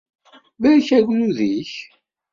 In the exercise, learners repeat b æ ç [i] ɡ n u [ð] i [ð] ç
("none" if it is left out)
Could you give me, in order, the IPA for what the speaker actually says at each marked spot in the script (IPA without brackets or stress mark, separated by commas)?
æ, ð, none